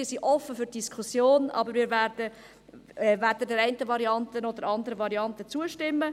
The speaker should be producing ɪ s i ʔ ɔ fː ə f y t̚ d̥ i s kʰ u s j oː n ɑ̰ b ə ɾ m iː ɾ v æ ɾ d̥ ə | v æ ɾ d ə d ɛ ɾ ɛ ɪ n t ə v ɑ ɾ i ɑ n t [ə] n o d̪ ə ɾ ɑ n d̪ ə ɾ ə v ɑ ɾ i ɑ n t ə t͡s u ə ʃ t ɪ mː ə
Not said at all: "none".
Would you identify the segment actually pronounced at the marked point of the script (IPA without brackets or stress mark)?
ə